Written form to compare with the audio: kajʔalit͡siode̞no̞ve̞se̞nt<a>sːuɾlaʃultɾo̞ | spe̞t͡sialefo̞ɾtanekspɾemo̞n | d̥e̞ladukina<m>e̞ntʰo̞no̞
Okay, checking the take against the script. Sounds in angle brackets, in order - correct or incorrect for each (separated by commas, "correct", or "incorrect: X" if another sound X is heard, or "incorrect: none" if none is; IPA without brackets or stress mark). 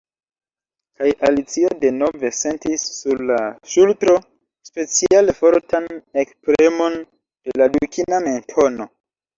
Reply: incorrect: i, correct